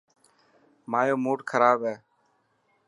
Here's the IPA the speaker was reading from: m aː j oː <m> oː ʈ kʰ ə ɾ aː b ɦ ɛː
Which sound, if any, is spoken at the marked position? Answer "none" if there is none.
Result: m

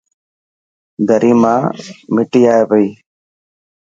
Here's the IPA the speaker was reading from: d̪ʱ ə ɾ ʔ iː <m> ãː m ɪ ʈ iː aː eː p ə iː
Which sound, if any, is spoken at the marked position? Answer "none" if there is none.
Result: m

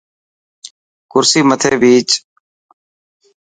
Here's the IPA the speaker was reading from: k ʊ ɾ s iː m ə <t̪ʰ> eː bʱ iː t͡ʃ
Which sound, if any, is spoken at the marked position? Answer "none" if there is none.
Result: t̪ʰ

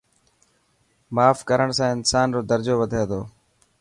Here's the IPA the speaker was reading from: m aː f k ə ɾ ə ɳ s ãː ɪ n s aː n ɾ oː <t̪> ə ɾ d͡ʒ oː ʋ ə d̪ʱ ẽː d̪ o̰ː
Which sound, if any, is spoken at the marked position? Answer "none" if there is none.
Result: d̪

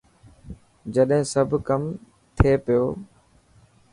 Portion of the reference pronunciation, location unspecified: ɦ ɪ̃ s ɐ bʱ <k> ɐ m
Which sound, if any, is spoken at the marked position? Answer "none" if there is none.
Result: k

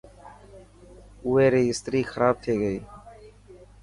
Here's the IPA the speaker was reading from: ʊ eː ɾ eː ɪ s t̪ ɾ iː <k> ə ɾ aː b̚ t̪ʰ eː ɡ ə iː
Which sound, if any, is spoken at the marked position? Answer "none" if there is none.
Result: x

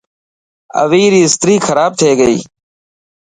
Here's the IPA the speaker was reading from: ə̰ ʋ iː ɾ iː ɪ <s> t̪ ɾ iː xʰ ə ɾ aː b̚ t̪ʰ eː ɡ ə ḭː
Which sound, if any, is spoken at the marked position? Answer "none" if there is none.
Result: s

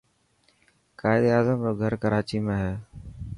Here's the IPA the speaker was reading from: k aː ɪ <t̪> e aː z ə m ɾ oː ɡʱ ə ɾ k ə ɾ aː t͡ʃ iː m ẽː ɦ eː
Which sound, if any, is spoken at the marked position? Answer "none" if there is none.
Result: d̪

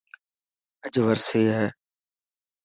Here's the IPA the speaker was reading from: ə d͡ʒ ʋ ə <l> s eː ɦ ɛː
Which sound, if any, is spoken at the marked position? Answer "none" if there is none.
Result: ɾ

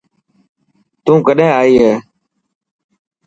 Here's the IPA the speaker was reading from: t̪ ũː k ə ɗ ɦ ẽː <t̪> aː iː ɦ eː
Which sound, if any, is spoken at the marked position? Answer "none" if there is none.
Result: none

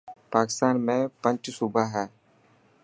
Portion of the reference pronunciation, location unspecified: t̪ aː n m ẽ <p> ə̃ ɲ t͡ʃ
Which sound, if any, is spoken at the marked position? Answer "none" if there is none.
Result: p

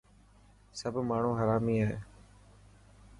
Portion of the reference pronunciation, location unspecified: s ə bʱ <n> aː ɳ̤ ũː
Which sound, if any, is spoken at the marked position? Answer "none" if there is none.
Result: m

